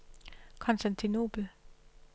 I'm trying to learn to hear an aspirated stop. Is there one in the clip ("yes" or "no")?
yes